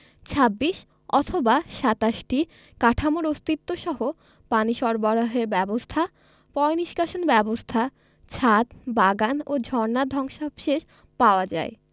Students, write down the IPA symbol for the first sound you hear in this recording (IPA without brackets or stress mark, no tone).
t͡ɕʰ